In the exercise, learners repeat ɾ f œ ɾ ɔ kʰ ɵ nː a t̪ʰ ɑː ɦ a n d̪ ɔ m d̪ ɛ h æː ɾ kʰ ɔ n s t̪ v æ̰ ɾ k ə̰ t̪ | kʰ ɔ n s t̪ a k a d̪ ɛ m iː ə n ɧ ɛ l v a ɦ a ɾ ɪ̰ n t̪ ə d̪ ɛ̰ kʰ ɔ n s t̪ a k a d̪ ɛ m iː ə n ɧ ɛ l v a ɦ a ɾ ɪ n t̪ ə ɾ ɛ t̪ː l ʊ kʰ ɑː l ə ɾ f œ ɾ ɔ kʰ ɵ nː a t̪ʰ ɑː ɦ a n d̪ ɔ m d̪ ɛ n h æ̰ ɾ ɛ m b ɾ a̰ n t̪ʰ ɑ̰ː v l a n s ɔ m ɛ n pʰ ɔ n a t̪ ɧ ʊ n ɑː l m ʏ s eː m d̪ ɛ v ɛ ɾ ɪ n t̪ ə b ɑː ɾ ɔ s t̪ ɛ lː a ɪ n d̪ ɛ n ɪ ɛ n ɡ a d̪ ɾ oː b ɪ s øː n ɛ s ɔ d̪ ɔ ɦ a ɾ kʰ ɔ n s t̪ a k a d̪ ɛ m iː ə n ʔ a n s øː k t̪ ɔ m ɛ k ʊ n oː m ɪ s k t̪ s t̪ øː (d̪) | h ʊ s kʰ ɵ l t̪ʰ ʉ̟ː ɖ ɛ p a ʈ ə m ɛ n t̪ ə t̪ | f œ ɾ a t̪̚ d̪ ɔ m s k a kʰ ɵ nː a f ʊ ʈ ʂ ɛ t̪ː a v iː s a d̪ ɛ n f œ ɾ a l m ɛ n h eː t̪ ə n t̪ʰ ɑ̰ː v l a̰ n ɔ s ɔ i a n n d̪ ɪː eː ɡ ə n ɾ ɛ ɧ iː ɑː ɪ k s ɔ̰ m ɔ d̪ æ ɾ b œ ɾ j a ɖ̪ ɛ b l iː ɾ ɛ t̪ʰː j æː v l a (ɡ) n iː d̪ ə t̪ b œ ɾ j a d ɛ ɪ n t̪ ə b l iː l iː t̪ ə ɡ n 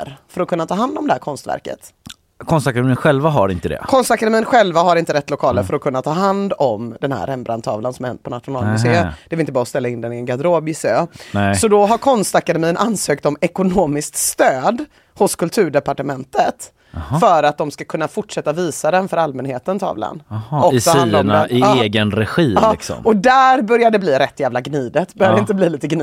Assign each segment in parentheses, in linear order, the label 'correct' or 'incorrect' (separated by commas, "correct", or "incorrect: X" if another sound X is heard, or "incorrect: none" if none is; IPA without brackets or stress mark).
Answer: correct, correct